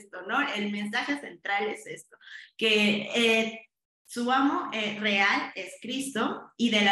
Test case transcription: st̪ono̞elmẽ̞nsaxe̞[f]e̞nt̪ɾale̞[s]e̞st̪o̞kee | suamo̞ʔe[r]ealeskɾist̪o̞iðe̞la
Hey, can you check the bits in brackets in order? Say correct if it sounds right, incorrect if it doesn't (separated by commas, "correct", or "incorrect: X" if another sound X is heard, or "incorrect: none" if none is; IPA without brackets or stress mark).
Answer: incorrect: s, correct, correct